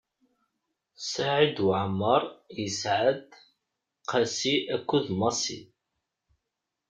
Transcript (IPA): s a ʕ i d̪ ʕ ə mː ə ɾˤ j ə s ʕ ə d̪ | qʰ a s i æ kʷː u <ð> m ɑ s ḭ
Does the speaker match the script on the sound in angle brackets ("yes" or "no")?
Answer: yes